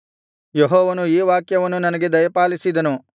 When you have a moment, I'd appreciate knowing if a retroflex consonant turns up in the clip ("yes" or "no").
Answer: no